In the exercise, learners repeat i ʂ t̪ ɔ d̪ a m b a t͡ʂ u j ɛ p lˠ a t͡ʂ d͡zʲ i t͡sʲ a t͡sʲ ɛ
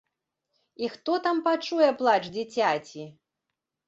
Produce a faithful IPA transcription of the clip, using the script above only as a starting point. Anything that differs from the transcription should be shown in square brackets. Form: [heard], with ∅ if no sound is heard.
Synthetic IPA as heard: i [x] t̪ ɔ [t̪] a m [p] a t͡ʂ u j ɛ p lˠ a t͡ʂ d͡zʲ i t͡sʲ a t͡sʲ [i]

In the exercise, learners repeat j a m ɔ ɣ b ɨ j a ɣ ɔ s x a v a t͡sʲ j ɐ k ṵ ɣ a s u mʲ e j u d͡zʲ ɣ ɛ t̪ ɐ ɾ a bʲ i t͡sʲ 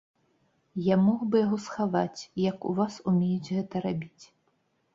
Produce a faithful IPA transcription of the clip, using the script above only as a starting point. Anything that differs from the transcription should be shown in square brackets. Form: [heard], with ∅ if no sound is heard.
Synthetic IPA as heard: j a m ɔ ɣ b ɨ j a ɣ ɔ s x a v a t͡sʲ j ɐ k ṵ [v] a s u mʲ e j u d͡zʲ ɣ ɛ t̪ ɐ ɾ a bʲ i t͡sʲ

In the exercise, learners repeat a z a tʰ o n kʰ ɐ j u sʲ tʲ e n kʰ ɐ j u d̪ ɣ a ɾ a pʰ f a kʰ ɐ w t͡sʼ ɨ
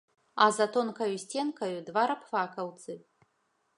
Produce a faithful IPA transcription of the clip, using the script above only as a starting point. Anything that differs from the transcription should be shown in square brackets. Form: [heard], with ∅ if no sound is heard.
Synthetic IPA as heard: a z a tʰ o n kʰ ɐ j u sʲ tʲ e n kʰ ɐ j u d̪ [v] a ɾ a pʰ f a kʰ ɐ w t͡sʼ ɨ

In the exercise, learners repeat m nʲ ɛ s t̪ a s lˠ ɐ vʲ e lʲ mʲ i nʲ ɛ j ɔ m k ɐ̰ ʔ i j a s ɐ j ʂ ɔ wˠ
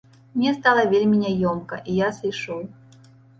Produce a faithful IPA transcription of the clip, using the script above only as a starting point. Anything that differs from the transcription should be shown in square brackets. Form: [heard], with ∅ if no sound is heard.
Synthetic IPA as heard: m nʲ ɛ s t̪ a [∅] lˠ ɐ vʲ e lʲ mʲ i nʲ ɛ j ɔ m k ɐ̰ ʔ i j a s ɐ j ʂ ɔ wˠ

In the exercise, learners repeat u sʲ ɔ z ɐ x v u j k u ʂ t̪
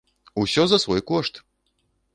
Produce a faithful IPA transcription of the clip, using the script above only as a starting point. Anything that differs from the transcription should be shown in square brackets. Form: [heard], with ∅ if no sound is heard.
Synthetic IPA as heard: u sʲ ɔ z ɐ [s] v [ɔ] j k [ɔ] ʂ t̪

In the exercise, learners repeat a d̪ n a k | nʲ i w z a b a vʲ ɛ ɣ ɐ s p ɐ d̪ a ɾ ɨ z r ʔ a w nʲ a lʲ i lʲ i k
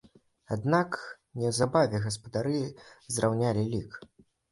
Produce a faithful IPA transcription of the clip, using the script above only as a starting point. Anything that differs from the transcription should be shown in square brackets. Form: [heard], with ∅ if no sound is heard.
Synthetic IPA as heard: a d̪ n a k | nʲ [ɛ] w z a b a vʲ ɛ ɣ ɐ s p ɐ d̪ a ɾ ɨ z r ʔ a w nʲ a lʲ i lʲ i k

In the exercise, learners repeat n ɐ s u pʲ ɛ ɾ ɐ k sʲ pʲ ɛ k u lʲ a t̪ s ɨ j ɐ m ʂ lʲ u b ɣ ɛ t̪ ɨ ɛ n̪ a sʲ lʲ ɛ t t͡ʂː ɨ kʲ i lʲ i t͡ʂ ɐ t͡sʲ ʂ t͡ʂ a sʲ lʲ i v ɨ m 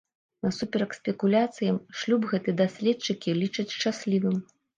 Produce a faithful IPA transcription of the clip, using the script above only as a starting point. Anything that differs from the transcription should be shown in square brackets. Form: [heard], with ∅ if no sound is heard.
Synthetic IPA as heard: n ɐ s u pʲ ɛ ɾ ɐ k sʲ pʲ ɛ k u lʲ a t̪ s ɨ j ɐ m ʂ lʲ u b ɣ ɛ t̪ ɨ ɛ [d̪] a sʲ lʲ ɛ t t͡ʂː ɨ kʲ i lʲ i t͡ʂ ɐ t͡sʲ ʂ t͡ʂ a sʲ lʲ i v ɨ m

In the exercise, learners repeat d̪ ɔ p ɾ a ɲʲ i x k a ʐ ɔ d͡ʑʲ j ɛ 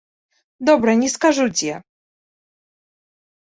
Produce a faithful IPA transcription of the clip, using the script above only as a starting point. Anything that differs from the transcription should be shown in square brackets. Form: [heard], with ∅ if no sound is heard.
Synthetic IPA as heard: d̪ ɔ [b] ɾ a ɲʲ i [s] k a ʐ [u] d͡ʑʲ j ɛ

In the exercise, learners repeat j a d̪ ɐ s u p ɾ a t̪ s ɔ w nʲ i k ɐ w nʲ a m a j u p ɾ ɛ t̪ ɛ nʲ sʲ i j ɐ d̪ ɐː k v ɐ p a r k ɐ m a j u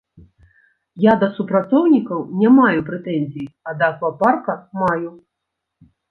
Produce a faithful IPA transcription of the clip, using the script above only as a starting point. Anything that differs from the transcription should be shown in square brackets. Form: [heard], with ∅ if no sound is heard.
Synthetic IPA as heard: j a d̪ ɐ s u p ɾ a t̪ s ɔ w nʲ i k ɐ w nʲ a m a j u p ɾ ɛ t̪ ɛ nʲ [zʲ] i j ɐ d̪ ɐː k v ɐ p a r k ɐ m a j u

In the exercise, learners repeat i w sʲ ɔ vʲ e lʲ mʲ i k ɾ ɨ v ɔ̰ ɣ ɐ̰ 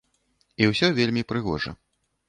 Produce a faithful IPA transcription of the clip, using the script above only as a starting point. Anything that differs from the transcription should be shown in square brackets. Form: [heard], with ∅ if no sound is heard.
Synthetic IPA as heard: i w sʲ ɔ vʲ e lʲ mʲ i [p] ɾ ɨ [ɣ] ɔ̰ [ʐ] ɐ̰

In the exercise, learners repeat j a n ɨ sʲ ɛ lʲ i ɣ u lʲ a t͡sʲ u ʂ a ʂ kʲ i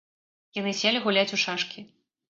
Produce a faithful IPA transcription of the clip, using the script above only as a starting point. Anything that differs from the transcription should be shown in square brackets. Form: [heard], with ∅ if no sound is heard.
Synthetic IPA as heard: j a n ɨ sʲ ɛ lʲ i ɣ u lʲ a t͡sʲ u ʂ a ʂ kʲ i

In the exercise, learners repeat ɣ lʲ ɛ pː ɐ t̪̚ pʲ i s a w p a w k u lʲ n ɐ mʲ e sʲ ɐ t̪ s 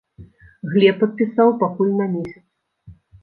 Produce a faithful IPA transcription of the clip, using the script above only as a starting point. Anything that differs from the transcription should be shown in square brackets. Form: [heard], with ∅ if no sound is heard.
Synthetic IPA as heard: ɣ lʲ ɛ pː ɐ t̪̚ pʲ i s a w p a [∅] k u lʲ n ɐ mʲ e sʲ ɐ t̪ s

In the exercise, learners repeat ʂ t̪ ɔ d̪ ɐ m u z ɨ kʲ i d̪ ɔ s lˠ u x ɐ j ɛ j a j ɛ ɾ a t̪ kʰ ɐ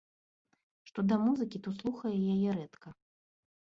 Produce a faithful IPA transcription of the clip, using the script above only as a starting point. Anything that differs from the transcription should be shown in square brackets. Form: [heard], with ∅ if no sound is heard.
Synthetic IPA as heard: ʂ t̪ ɔ d̪ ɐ m u z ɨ kʲ i [t̪] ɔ s lˠ u x ɐ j ɛ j a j ɛ ɾ [ɛ] t̪ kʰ ɐ

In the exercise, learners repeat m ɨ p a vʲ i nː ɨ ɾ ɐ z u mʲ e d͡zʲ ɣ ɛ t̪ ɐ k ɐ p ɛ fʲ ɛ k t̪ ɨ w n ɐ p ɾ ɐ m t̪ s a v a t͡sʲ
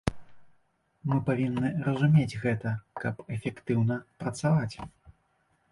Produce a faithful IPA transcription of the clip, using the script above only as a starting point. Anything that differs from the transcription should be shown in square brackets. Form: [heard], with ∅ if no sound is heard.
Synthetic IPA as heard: m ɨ p a vʲ i nː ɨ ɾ ɐ z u mʲ e d͡zʲ ɣ ɛ t̪ ɐ k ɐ p ɛ fʲ ɛ k t̪ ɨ w n ɐ p ɾ ɐ [∅] t̪ s a v a t͡sʲ

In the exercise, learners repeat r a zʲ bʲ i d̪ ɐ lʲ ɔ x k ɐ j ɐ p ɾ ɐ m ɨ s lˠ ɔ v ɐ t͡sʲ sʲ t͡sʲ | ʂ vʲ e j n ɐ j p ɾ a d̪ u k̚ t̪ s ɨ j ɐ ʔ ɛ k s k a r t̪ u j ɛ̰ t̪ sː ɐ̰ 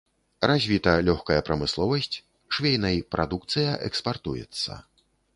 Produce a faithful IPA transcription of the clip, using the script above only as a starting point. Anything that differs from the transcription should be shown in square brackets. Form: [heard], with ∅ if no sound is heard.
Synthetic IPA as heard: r a zʲ [vʲ] i [t̪] ɐ lʲ ɔ x k ɐ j ɐ p ɾ ɐ m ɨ s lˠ ɔ v ɐ [∅] sʲ t͡sʲ | ʂ vʲ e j n ɐ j p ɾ a d̪ u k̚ t̪ s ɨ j ɐ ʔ ɛ k s [p] a r t̪ u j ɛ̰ t̪ sː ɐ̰

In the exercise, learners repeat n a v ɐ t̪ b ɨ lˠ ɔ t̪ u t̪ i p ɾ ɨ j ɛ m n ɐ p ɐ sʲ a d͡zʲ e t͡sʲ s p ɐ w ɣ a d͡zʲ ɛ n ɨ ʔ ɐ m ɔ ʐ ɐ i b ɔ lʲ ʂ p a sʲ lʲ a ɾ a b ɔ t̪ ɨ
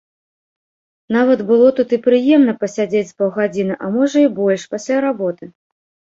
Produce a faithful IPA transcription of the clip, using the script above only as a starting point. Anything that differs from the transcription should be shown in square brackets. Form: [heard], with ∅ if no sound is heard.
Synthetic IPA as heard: n a v ɐ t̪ b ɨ lˠ ɔ t̪ u t̪ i p ɾ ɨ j ɛ m n ɐ p ɐ sʲ a d͡zʲ e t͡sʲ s p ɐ w ɣ a d͡zʲ [i] n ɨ ʔ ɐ m ɔ ʐ ɐ i b ɔ lʲ ʂ p a sʲ lʲ a ɾ a b ɔ t̪ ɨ

